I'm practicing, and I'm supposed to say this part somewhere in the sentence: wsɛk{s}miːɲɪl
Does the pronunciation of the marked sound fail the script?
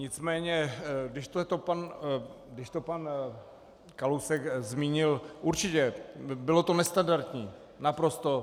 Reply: yes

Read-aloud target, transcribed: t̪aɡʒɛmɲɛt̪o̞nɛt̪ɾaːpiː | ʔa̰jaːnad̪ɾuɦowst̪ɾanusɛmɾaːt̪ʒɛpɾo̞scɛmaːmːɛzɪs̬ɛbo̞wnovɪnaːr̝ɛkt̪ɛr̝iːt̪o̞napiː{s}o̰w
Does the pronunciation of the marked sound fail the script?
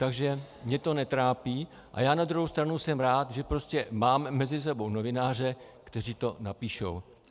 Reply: yes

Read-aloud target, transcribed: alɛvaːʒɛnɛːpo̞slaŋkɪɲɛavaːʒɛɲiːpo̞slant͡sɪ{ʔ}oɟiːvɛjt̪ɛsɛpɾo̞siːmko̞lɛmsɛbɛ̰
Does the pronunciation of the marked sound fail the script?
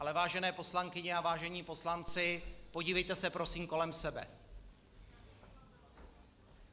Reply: yes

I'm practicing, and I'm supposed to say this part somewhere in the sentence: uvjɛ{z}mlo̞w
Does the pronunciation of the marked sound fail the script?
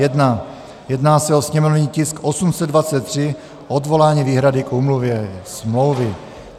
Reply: yes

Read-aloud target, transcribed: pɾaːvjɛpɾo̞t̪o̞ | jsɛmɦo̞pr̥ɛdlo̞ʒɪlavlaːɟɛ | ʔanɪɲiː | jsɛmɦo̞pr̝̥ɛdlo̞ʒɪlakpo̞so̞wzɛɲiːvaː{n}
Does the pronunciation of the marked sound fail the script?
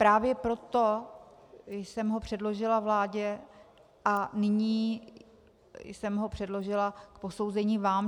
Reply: yes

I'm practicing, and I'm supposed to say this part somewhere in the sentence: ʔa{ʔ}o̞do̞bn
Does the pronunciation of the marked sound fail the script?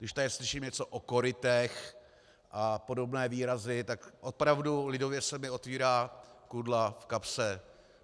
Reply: yes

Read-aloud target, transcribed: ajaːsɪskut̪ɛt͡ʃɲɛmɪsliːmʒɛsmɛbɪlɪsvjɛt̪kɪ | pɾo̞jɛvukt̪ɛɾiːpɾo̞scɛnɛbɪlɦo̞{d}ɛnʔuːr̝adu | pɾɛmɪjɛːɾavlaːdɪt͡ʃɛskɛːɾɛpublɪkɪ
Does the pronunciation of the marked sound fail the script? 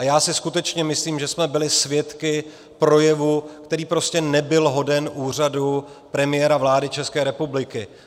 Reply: no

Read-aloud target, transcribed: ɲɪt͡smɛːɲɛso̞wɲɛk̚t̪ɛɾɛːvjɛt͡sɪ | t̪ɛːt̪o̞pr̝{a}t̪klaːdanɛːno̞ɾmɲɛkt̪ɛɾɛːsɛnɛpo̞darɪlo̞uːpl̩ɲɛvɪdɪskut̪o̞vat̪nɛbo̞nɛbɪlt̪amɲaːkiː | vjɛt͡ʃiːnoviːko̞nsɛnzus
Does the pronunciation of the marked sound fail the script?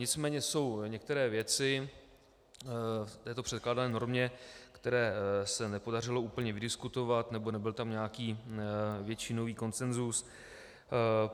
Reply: yes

